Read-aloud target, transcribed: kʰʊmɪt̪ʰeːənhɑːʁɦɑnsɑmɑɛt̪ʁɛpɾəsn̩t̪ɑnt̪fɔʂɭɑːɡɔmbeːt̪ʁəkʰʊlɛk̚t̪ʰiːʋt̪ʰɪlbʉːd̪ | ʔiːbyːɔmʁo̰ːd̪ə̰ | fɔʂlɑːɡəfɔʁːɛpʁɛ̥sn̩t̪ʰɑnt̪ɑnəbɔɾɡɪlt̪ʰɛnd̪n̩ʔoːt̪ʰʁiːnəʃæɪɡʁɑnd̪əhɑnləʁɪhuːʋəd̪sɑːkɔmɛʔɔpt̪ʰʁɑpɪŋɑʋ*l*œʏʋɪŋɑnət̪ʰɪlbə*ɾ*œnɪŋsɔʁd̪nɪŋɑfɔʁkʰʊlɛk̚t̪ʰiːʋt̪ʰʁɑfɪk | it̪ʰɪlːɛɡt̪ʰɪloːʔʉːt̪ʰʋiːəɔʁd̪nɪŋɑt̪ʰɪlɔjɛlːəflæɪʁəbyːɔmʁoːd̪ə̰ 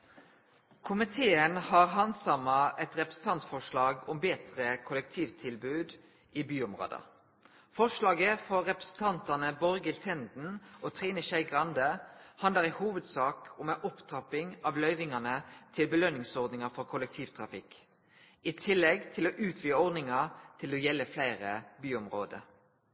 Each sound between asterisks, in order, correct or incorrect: correct, incorrect: l

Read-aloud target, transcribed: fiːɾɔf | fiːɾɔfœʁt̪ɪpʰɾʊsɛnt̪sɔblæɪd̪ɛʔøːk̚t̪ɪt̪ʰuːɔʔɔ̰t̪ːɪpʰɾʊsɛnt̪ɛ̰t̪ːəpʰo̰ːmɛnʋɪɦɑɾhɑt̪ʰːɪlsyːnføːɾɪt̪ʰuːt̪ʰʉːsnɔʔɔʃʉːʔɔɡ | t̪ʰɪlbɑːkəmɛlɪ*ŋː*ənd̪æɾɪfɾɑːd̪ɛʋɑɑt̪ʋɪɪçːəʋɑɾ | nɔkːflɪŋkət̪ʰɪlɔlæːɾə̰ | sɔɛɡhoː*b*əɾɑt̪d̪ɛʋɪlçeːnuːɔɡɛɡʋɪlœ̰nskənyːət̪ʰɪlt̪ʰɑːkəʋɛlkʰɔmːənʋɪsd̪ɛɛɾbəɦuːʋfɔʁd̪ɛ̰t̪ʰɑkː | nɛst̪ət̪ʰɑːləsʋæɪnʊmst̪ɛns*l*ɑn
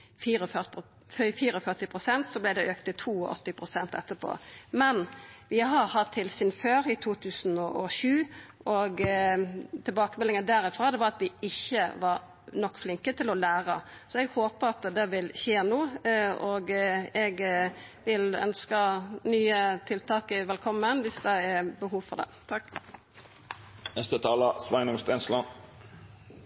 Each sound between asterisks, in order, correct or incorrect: incorrect: ŋ, incorrect: p, correct

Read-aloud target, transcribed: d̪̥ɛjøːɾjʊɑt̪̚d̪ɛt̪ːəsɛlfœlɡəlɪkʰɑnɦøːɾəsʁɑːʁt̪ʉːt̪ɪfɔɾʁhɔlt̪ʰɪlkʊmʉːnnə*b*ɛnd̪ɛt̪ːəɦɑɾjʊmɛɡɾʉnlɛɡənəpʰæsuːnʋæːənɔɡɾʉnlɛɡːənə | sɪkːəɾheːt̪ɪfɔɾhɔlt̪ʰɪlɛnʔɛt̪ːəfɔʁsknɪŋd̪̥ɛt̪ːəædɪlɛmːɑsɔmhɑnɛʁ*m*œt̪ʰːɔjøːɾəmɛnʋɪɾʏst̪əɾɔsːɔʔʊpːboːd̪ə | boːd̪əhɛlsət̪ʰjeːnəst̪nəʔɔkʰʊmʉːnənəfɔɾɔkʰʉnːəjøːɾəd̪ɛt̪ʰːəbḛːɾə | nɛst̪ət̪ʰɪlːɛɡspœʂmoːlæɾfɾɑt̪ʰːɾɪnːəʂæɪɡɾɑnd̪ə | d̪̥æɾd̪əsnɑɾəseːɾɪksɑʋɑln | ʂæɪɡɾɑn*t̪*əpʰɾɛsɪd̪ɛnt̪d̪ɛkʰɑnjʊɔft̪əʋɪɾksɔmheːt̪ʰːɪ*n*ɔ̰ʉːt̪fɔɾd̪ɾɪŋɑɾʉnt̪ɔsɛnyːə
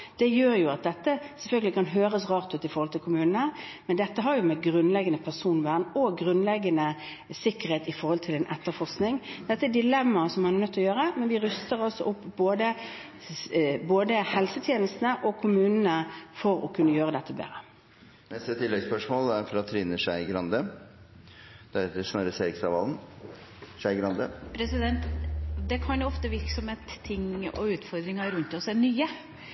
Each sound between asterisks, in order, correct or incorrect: incorrect: m, incorrect: n, incorrect: d̪, incorrect: ŋ

